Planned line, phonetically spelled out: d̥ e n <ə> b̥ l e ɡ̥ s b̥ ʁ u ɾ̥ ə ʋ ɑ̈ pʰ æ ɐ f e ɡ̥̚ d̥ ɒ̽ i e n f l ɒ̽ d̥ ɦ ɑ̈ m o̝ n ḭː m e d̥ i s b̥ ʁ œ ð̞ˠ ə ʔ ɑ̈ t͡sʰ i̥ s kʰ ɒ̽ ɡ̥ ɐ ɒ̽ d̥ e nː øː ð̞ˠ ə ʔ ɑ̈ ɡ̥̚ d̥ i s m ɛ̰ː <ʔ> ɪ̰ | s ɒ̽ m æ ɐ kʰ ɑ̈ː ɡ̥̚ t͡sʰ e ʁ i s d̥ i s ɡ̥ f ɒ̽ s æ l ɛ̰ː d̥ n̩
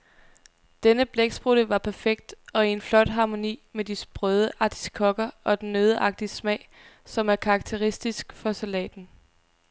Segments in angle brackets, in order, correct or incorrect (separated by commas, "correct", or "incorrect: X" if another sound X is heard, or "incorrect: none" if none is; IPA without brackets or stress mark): correct, incorrect: none